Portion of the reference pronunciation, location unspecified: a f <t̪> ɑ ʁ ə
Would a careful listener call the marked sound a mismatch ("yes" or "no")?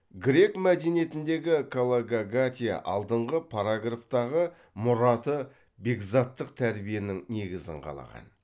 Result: no